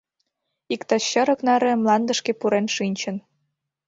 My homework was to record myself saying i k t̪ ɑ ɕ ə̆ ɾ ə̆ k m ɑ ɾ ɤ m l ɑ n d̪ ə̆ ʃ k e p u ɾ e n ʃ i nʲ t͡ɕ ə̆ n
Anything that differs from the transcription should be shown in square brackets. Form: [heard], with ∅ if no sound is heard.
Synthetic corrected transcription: i k t̪ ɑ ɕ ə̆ ɾ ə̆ k [n] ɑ ɾ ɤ m l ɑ n d̪ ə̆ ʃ k e p u ɾ e n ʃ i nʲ t͡ɕ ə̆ n